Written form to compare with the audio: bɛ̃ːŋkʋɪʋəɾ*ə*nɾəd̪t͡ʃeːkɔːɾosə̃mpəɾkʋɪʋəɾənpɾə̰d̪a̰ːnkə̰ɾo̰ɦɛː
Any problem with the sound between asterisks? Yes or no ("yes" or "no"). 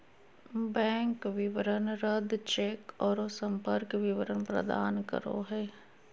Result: no